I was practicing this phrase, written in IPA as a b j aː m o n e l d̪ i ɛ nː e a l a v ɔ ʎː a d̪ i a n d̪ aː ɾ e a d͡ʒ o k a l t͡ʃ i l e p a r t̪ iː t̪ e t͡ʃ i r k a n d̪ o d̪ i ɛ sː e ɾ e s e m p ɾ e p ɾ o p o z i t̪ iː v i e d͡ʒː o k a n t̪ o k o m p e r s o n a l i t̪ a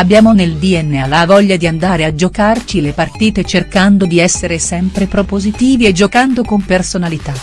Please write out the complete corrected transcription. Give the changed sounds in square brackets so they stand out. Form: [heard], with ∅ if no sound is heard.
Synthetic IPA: a b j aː m o n e l d̪ i ɛ nː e a l a v ɔ ʎː a d̪ i a n d̪ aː ɾ e a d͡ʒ o k a [r] t͡ʃ i l e p a r t̪ iː t̪ e t͡ʃ [e] r k a n d̪ o d̪ i ɛ sː e ɾ e s [ɛ] m p ɾ e p ɾ o p o z i t̪ iː v i e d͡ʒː o k a n [d̪] o k o m p e r s o n a l i t̪ a